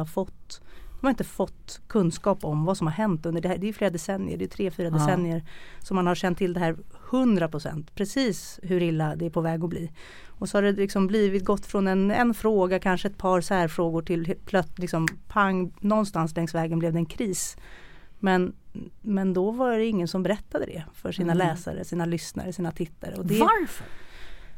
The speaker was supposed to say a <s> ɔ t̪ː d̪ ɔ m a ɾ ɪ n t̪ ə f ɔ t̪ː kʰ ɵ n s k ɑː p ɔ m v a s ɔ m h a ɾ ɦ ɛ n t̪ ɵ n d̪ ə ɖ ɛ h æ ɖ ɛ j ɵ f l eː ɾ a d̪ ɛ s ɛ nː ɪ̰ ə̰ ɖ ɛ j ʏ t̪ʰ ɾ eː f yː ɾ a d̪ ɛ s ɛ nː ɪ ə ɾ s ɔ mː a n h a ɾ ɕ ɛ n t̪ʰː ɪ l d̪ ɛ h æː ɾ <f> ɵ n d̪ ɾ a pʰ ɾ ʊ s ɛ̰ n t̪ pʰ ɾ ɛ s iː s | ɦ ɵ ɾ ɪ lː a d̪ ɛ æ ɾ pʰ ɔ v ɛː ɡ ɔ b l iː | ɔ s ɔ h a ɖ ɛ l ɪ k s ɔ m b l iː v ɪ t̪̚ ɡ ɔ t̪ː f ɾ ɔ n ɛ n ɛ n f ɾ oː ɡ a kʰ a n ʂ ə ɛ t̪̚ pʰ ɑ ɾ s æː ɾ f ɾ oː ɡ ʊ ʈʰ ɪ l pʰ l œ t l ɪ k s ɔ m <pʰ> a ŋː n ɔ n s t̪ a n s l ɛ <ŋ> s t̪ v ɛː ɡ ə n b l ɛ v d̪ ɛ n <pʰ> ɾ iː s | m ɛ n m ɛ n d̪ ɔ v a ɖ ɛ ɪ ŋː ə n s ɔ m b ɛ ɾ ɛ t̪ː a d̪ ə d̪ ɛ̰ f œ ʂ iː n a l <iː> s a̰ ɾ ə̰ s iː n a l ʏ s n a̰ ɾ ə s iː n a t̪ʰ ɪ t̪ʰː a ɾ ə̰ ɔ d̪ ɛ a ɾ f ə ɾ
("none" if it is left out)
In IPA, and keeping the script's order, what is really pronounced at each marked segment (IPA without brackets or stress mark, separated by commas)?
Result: f, h, pʰ, ŋ, kʰ, ɛː